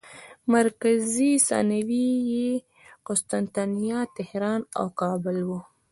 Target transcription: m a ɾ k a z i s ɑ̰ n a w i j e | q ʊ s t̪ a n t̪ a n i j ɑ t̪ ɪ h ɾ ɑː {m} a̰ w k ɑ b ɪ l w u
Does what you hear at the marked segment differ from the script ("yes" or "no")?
yes